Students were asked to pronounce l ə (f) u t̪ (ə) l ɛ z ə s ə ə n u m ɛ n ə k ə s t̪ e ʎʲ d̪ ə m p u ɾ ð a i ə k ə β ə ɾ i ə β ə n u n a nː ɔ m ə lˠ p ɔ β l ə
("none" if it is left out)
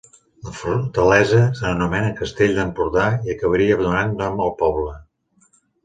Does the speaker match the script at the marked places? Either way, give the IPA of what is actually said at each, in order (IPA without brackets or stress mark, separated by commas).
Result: f, ə